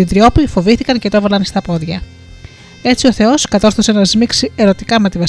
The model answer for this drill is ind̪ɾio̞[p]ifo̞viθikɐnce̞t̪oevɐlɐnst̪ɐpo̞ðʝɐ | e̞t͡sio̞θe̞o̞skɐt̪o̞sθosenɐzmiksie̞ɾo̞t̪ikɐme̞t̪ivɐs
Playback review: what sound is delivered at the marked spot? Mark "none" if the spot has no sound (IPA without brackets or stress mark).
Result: p